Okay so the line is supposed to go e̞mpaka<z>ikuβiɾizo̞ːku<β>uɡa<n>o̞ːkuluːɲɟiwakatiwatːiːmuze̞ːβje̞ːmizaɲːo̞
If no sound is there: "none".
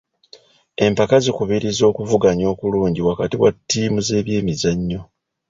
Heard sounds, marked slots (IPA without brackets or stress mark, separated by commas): z, v, ɲ